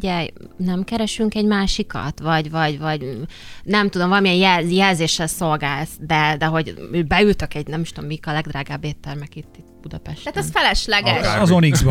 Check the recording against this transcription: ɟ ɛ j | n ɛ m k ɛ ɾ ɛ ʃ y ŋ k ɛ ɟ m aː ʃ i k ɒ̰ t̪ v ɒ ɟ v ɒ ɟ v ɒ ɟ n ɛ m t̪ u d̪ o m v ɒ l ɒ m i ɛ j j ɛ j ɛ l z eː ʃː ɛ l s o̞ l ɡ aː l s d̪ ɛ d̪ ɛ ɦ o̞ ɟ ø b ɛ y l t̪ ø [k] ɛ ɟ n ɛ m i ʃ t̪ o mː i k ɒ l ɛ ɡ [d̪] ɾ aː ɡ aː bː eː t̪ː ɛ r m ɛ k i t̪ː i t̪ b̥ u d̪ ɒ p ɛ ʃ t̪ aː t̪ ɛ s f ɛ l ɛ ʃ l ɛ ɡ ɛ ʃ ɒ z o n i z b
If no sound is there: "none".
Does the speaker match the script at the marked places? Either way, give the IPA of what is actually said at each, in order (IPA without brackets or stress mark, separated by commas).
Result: k, d̪